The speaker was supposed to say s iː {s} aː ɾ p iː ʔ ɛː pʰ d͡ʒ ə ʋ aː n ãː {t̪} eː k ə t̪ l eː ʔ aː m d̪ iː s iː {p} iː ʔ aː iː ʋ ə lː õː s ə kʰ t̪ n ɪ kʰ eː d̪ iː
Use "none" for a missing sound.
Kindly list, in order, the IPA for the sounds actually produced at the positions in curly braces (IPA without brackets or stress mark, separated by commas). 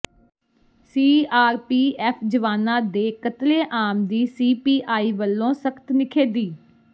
none, d̪, p